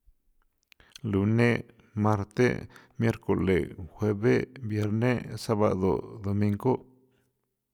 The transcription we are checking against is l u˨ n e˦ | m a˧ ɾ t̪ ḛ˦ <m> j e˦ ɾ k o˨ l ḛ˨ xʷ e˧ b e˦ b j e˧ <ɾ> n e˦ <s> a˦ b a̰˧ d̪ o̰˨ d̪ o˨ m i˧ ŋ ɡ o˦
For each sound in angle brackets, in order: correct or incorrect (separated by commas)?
correct, correct, correct